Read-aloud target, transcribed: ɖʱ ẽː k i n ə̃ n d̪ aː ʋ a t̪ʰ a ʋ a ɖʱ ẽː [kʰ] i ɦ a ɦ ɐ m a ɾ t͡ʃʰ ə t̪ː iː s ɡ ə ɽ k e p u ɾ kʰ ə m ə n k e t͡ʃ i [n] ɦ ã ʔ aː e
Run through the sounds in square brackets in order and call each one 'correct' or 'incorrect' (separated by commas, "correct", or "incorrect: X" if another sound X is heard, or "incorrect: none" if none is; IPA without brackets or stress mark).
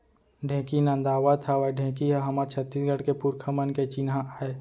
incorrect: k, correct